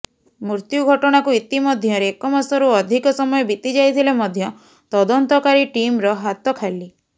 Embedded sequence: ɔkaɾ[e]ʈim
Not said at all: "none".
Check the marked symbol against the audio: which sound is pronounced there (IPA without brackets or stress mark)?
i